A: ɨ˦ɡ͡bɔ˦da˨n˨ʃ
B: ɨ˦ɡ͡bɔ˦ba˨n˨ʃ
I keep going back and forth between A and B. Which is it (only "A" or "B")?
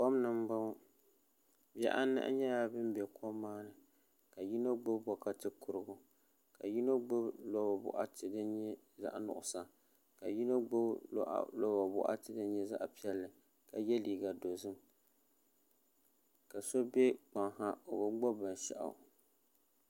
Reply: B